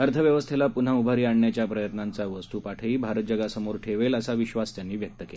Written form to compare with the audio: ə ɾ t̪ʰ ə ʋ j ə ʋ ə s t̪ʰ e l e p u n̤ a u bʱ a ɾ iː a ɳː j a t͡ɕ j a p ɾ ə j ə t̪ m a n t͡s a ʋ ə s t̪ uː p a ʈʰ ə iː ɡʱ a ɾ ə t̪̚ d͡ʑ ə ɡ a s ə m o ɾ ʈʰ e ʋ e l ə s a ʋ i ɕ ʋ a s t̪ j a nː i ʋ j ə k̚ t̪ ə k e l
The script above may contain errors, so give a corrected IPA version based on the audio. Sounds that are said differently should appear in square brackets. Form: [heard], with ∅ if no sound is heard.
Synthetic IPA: ə ɾ t̪ʰ ə ʋ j ə ʋ ə s t̪ʰ e l [a] p u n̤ a u bʱ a ɾ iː a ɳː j a t͡ɕ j a p ɾ ə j ə t̪ [n] a n t͡s a ʋ ə s t̪ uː p a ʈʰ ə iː [bʱ] a ɾ ə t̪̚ d͡ʑ ə ɡ a s ə m o ɾ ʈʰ e ʋ e l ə s a ʋ i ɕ ʋ a s t̪ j a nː [iː] ʋ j ə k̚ t̪ ə k e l